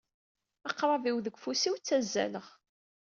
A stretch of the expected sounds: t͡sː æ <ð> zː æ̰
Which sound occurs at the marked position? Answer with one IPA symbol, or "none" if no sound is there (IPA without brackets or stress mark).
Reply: none